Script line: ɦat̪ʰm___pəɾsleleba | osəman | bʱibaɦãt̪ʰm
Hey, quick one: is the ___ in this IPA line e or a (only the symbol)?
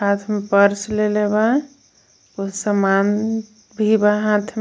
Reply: e